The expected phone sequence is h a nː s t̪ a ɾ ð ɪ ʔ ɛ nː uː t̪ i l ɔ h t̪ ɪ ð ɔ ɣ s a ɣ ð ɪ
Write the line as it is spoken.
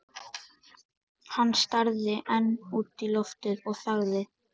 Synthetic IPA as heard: h a nː s t̪ a ɾ ð ɪ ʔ ɛ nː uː t̪ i l ɔ f t̪ ɪ ð ɔ ɣ θ a ɣ ð ɪ